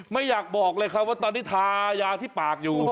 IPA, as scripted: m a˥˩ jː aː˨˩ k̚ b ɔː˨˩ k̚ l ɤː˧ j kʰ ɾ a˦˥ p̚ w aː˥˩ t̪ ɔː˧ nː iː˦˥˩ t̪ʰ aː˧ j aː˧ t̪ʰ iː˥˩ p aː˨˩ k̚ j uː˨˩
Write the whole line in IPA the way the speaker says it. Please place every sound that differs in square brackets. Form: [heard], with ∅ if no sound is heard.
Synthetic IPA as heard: m a˥˩ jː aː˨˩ k̚ b ɔː˨˩ k̚ l ɤː˧ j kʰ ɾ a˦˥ p̚ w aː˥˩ t̪ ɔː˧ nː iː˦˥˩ t̪ʰ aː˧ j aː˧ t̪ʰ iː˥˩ p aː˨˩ k̚ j uː˨˩